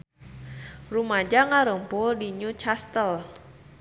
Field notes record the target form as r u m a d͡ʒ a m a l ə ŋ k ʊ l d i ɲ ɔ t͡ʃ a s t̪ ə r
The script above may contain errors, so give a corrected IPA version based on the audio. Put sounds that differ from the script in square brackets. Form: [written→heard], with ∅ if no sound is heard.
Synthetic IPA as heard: r u m a d͡ʒ a [m→ŋ] a [l→ɾ] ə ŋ [k→p] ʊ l d i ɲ [ɔ→u] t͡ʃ a s t̪ ə [r→l]